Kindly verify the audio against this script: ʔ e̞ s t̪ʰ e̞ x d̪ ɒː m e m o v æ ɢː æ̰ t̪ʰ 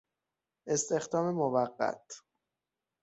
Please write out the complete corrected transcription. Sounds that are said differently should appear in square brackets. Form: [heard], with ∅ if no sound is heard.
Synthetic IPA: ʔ e̞ s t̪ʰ e̞ x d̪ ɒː m e m o v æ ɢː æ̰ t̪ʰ